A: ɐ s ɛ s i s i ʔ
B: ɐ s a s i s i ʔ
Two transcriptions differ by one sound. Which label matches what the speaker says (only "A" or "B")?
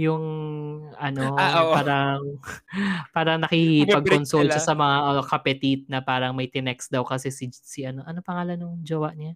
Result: A